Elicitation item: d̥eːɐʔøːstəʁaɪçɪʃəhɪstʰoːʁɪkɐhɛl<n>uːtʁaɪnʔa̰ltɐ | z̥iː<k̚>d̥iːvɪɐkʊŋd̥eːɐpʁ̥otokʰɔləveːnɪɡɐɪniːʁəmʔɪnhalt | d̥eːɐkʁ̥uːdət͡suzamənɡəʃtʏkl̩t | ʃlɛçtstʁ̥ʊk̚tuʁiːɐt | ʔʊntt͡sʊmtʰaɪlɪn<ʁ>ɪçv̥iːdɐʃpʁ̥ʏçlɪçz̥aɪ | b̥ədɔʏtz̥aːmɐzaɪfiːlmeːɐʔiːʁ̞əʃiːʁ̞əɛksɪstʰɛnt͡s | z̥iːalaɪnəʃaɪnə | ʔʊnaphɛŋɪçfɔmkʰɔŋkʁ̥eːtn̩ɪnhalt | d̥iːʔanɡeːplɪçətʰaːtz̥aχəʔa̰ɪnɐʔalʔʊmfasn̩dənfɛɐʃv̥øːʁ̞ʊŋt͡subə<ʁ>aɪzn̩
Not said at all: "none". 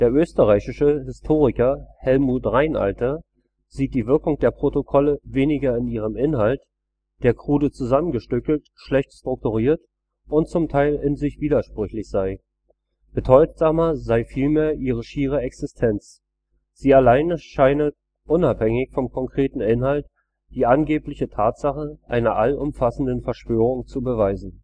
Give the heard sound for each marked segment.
m, t̚, z, v

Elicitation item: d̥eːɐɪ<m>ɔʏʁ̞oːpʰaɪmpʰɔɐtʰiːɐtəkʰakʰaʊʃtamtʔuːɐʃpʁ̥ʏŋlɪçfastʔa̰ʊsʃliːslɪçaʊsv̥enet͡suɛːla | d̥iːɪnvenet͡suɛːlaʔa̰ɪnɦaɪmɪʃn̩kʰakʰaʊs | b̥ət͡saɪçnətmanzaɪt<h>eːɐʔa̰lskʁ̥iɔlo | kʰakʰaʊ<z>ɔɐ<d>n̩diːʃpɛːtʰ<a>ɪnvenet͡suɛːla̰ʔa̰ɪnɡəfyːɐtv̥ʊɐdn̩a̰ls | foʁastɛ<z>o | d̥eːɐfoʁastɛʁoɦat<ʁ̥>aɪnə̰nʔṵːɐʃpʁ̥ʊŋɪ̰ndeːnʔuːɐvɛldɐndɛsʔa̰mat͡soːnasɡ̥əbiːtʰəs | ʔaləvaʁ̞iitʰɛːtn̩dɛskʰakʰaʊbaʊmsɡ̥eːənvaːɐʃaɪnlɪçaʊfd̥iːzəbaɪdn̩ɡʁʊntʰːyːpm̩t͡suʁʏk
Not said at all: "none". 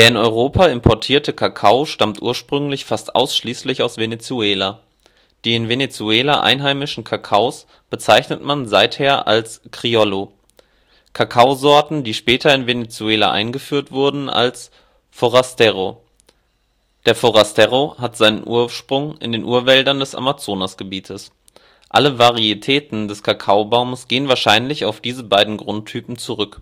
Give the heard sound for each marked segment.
n, h, z, t, ɐ, ʁ, z̥

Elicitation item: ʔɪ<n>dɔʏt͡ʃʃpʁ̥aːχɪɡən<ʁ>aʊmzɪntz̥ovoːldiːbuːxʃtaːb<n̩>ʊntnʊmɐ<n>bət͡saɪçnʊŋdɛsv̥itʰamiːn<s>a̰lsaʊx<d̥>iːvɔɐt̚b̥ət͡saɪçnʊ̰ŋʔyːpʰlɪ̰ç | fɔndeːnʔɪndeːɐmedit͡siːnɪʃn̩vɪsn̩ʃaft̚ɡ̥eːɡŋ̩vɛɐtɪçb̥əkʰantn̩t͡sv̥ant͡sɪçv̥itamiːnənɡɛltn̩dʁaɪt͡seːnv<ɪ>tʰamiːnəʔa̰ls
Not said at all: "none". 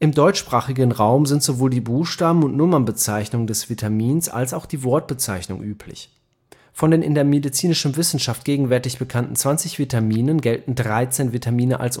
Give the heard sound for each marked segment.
m, ʁ, m̩, n, s, d̥, i

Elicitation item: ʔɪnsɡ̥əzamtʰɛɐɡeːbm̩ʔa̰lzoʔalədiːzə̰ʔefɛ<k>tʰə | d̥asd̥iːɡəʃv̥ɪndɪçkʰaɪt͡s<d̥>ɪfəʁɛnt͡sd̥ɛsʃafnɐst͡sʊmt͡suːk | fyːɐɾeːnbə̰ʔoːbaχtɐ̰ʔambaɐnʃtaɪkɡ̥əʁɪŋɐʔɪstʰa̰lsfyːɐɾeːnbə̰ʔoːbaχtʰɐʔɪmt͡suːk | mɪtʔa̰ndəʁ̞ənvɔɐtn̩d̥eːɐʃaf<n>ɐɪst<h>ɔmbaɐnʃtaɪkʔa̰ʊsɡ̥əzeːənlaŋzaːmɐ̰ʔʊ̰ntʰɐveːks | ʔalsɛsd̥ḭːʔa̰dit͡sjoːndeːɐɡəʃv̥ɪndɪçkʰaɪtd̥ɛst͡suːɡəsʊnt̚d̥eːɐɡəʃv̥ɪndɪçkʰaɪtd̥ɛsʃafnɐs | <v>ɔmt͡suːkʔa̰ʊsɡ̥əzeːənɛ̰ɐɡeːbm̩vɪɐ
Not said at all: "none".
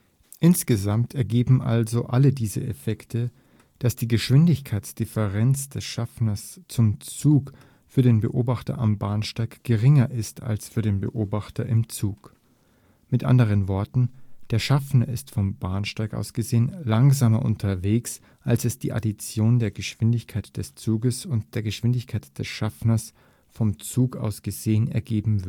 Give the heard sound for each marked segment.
k, d̥, n, f, f

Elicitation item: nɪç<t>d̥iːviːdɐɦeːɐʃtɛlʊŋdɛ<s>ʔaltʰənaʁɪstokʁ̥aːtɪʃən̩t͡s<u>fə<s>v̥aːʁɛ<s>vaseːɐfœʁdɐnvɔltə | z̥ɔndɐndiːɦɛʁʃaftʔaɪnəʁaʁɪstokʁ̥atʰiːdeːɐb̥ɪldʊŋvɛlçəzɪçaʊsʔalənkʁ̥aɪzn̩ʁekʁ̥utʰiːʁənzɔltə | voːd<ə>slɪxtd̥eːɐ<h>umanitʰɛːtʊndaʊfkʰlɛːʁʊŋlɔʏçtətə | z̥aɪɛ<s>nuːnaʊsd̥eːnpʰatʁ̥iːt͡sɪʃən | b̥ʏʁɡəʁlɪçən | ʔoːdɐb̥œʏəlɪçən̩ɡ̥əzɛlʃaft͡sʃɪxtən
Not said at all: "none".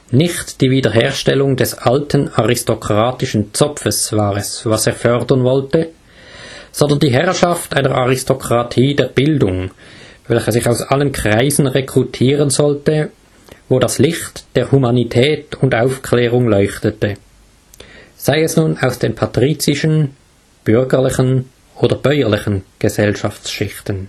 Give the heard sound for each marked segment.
t, s, ɔ, s, s, a, h, s

